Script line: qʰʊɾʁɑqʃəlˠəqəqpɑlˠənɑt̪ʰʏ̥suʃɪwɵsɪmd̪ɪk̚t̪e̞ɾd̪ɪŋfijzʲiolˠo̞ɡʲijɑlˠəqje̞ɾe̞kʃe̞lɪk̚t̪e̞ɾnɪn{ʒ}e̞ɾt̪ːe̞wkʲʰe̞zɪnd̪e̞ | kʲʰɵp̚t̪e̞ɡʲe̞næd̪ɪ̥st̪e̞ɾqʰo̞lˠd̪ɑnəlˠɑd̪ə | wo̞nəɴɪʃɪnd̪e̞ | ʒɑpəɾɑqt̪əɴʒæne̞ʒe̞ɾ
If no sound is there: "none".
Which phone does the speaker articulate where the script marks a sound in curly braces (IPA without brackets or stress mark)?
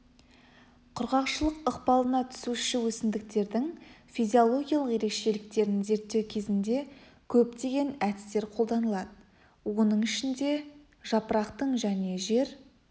z